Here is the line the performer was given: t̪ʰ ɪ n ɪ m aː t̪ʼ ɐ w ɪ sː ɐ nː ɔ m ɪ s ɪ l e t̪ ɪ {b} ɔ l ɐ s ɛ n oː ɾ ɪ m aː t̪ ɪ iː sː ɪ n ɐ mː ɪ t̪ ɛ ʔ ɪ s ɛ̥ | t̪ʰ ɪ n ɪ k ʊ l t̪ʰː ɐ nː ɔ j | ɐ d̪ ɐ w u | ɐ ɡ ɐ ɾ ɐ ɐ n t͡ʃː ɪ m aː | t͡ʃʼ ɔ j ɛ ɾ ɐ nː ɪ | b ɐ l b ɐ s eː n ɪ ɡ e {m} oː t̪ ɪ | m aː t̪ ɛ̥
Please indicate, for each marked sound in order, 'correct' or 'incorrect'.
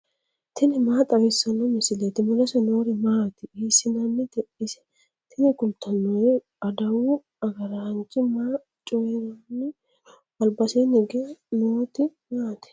incorrect: m, incorrect: n

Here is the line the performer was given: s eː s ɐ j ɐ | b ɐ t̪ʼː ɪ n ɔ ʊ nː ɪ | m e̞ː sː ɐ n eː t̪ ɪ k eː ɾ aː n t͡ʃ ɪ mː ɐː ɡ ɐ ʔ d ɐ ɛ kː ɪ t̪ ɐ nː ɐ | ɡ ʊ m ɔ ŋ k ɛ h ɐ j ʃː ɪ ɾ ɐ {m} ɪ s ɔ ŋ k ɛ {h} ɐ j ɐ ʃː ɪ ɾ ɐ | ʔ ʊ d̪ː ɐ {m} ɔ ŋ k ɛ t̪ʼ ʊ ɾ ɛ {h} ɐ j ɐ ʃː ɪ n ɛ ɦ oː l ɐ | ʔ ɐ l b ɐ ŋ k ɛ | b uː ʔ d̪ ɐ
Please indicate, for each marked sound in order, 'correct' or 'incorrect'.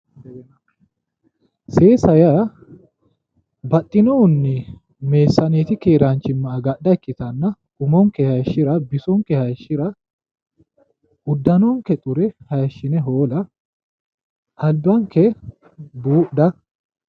incorrect: b, correct, incorrect: n, correct

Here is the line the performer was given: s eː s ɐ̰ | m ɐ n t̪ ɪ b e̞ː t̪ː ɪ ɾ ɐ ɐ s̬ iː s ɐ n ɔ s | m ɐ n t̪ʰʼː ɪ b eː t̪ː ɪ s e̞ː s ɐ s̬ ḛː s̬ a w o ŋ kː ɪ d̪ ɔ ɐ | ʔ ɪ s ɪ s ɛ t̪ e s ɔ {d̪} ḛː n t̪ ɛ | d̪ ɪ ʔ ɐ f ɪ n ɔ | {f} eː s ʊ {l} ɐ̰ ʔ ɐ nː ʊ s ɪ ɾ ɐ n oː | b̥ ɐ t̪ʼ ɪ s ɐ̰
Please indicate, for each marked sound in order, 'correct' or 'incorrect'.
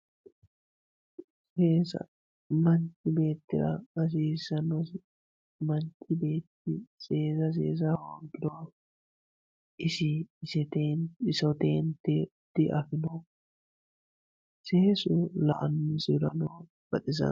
incorrect: t̪, incorrect: s, correct

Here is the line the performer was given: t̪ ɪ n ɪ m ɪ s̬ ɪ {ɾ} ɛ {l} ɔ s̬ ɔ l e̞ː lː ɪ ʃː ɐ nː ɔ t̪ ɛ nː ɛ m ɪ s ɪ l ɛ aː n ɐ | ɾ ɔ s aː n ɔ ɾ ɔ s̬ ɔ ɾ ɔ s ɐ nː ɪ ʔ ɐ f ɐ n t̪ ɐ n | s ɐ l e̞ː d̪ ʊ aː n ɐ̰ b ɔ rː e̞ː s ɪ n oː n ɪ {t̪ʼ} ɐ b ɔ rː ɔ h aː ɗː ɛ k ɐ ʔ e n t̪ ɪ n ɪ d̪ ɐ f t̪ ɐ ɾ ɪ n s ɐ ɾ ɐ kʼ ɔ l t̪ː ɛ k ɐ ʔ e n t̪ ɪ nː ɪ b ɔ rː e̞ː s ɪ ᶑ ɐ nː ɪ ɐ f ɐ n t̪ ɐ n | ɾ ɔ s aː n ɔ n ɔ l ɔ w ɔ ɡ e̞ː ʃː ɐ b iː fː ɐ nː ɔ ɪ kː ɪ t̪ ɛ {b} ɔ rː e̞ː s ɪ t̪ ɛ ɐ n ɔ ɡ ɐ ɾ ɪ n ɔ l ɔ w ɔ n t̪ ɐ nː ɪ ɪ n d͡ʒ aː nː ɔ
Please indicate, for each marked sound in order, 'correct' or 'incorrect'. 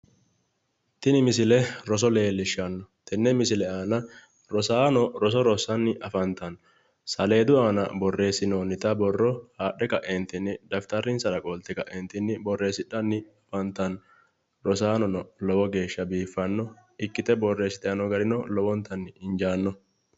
incorrect: l, incorrect: ɾ, incorrect: t̪, correct

